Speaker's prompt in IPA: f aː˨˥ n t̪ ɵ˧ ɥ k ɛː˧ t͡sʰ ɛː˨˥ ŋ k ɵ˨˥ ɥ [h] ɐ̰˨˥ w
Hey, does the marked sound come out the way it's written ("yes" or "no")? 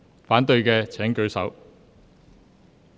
no